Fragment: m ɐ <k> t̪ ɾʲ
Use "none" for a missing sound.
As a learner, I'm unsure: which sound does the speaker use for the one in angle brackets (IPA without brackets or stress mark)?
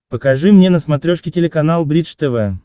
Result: none